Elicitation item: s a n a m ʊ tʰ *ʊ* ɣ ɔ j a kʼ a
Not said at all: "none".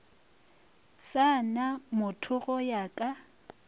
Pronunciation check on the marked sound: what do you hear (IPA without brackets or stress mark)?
ʊ